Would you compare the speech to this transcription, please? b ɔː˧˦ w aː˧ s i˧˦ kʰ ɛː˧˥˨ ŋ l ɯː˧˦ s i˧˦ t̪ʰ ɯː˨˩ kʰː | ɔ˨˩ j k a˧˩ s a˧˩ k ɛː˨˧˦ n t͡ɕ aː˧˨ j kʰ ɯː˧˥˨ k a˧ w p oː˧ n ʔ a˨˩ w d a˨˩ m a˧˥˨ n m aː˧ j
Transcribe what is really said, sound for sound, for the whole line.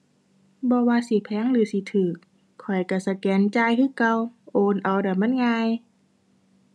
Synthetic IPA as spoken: b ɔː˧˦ w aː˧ s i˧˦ pʰ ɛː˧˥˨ ŋ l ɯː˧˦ s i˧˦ t̪ʰ ɯː˨˩ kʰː | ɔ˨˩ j k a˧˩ s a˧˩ k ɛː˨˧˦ n t͡ɕ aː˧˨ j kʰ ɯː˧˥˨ k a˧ w ʔ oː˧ n ʔ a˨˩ w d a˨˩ m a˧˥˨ n ŋ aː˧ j

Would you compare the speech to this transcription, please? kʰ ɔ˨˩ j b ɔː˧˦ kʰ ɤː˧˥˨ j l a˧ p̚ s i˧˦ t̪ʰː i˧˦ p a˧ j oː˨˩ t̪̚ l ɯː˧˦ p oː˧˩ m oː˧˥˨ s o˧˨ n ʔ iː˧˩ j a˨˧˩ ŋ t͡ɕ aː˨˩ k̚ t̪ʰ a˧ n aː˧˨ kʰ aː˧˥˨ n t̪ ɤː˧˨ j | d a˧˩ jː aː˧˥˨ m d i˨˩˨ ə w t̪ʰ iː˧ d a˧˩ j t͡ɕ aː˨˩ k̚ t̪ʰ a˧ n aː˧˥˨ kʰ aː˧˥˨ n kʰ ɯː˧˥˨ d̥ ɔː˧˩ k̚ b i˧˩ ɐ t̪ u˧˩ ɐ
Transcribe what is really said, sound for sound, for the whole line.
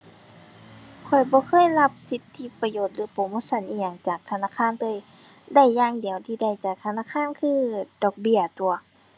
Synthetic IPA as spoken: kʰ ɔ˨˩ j b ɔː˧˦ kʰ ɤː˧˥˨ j l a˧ p̚ s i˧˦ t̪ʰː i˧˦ p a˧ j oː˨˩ t̪̚ l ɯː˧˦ p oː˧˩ m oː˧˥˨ s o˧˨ n ʔ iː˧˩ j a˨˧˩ ŋ t͡ɕ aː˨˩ k̚ t̪ʰ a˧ n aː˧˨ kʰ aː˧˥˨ n t̪ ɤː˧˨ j | d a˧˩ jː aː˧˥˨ ŋ d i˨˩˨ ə w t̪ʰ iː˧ d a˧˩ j t͡ɕ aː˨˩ k̚ t̪ʰ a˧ n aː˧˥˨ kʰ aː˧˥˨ n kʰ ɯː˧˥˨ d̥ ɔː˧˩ k̚ b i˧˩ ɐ t̪ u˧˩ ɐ

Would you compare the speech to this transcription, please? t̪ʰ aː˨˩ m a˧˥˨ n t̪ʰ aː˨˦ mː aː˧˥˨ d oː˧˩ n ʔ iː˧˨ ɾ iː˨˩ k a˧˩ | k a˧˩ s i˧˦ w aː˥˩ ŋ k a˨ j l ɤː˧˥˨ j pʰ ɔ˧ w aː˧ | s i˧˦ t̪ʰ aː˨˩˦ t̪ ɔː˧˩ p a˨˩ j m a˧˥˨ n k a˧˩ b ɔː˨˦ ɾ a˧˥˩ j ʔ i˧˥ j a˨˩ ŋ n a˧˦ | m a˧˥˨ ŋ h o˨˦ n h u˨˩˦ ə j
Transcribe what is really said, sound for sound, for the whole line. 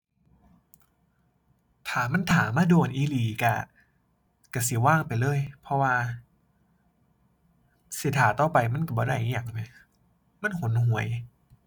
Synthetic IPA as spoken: t̪ʰ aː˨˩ m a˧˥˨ n t̪ʰ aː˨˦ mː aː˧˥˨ d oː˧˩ n ʔ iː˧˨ l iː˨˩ k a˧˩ | k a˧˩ s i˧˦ w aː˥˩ ŋ p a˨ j l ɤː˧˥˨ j pʰ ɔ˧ w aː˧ | s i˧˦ t̪ʰ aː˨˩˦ t̪ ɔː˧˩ p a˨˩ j m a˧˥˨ n k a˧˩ b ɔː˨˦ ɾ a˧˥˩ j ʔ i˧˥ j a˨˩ ŋ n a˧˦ | m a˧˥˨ n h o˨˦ n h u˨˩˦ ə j

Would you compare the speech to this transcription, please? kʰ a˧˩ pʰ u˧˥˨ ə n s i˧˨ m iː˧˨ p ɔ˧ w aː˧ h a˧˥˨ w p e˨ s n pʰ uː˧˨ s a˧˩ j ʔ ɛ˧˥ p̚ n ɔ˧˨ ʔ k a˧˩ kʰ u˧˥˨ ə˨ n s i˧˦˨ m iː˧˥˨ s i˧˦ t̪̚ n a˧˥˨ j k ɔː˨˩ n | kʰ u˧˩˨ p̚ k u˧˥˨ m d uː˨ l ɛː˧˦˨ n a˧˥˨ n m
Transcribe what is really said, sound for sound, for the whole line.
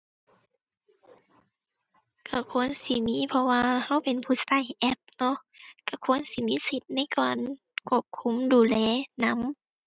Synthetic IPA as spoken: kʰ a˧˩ kʰ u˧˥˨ ə n s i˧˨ m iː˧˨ pʰ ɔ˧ w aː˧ h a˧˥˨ w p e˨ n pʰ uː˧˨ s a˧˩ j ʔ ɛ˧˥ p̚ n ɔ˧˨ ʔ k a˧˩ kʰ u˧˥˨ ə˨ n s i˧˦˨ m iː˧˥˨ s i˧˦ t̪̚ n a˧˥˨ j k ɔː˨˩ n | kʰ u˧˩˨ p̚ kʰ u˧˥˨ m d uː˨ l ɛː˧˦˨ n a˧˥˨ m

